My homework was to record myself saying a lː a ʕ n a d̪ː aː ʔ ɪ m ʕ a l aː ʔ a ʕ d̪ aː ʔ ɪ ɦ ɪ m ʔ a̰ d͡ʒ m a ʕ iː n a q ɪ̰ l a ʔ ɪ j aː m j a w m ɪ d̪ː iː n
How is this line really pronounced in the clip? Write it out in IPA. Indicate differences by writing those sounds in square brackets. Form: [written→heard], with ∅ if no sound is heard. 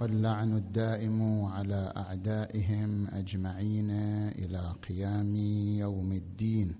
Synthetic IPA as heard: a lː a ʕ n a d̪ː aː ʔ ɪ m ʕ a l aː ʔ a ʕ d̪ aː ʔ ɪ ɦ ɪ m ʔ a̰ d͡ʒ m a ʕ iː n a [q→ʔ] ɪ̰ l a [ʔ→q] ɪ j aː m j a w m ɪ d̪ː iː n